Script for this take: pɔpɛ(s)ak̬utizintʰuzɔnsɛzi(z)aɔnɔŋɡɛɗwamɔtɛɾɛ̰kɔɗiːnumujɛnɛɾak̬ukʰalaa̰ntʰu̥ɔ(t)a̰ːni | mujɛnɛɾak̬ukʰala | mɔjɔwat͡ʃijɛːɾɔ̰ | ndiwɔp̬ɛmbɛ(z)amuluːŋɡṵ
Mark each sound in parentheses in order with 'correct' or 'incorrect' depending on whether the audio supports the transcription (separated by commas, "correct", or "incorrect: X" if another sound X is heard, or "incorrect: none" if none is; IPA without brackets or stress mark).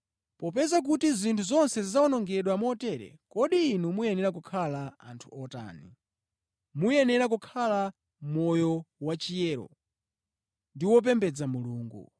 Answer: incorrect: z, correct, correct, incorrect: d͡z